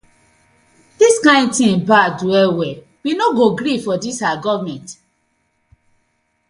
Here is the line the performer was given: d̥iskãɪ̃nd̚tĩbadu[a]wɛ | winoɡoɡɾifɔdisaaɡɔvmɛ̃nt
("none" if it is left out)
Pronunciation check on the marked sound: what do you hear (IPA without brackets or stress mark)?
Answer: ɛ